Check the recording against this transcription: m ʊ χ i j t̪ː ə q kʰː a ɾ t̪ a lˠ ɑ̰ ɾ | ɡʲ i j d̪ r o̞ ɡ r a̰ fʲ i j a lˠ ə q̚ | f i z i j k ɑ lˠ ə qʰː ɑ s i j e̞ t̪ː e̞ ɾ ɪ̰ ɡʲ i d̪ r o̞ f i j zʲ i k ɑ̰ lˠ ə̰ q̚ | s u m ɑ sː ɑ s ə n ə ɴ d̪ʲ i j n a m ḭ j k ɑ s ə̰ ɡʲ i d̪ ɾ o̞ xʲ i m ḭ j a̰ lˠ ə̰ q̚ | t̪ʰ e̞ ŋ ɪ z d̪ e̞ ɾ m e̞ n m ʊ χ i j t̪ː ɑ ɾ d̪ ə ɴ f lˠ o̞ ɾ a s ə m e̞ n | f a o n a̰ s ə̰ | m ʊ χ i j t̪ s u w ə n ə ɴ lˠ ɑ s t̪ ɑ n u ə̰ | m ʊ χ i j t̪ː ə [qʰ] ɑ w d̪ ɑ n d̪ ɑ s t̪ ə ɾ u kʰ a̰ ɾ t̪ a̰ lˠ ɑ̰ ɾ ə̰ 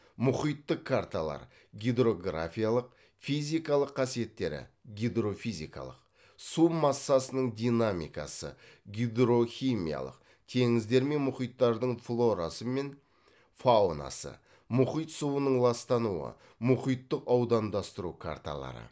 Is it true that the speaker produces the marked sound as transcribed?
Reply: no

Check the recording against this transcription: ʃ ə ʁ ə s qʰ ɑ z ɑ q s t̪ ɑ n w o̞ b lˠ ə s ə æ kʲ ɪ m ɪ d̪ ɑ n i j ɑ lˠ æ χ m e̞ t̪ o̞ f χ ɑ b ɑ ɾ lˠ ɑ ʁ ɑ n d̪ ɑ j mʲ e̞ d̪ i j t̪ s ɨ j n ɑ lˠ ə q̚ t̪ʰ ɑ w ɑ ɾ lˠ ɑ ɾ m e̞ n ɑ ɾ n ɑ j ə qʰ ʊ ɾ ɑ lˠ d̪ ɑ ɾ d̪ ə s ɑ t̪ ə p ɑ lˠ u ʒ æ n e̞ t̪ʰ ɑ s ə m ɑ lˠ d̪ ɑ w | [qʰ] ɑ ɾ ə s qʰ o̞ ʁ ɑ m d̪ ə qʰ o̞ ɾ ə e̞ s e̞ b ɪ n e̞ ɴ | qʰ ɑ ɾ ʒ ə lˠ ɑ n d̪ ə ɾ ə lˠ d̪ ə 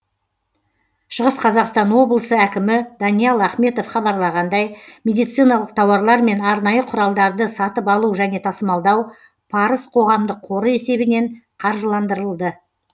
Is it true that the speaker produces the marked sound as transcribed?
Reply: no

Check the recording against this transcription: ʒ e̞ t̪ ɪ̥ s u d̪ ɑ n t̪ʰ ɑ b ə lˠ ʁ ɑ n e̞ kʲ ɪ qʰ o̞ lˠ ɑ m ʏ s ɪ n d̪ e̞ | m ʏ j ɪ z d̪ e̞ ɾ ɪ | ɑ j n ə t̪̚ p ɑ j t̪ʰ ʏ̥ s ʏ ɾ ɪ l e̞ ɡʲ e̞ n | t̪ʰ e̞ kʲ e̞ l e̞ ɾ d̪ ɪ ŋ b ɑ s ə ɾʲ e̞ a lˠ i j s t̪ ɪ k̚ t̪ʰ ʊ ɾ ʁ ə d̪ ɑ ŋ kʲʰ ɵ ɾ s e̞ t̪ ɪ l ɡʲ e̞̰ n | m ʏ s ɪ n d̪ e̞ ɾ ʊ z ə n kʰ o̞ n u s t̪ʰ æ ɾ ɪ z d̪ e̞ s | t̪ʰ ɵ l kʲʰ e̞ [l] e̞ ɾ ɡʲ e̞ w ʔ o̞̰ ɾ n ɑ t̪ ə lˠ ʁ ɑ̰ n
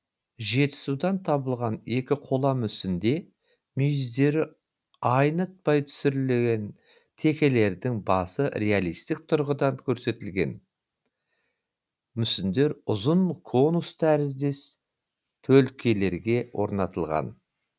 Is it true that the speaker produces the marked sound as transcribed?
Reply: yes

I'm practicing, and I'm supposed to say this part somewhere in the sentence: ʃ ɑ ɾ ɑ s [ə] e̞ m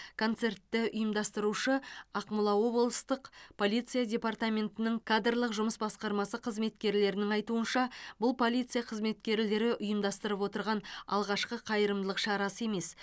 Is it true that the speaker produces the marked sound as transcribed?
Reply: yes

